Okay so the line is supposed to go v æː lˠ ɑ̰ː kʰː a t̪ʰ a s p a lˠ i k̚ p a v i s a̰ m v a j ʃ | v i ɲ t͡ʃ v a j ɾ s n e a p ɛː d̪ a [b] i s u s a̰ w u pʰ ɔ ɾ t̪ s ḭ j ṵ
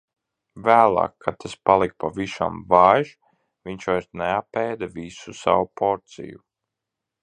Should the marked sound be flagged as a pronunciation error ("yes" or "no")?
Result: yes